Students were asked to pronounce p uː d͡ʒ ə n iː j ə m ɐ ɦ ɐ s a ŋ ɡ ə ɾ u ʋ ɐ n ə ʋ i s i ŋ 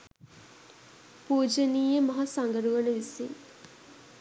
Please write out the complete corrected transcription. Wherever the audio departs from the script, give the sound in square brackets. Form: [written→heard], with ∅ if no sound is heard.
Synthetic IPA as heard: p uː d͡ʒ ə n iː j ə m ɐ ɦ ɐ s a ŋ ɡ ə ɾ u ʋ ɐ n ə ʋ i s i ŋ